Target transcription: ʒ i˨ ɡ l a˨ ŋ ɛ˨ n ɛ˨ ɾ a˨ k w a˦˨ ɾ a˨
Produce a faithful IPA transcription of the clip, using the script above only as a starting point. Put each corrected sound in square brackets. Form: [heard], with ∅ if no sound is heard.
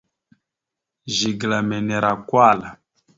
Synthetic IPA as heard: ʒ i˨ ɡ l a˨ [m] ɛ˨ n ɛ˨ ɾ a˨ k w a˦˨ [l] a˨